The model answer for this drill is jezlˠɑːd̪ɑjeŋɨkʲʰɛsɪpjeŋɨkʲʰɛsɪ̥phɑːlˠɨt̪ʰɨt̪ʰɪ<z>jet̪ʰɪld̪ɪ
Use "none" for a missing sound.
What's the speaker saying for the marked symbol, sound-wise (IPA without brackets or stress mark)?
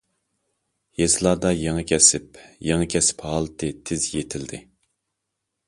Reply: z